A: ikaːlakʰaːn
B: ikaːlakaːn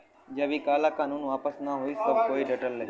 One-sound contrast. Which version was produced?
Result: B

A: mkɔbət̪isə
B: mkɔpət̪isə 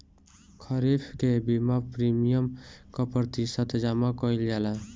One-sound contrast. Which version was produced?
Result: B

